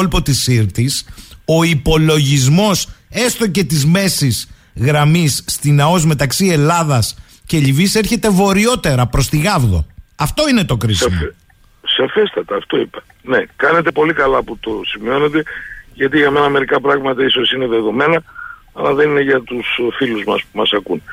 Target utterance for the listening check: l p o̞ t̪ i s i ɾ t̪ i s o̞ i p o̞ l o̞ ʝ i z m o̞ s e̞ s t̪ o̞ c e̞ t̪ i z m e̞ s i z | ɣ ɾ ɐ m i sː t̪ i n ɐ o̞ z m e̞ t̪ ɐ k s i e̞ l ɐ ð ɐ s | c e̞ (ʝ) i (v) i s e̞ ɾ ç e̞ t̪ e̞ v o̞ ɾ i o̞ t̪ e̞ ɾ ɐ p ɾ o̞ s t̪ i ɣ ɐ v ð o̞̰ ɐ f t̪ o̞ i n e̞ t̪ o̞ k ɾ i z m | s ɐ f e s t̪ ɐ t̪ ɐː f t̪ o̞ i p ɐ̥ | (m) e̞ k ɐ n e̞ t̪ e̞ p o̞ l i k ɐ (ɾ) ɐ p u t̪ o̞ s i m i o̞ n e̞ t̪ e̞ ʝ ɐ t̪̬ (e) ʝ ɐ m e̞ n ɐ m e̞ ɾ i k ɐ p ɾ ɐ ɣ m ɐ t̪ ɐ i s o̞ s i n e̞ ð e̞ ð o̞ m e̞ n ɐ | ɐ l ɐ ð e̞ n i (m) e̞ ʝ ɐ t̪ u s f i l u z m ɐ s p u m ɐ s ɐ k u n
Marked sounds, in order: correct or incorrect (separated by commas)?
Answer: incorrect, correct, incorrect, incorrect, incorrect, incorrect